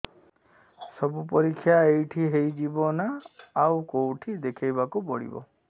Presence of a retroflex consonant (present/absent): present